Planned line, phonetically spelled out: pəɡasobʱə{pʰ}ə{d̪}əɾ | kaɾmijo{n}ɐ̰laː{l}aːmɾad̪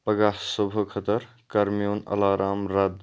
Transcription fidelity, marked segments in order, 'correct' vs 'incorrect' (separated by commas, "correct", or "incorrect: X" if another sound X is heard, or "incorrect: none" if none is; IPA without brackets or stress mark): incorrect: kʰ, incorrect: t̪, correct, incorrect: ɾ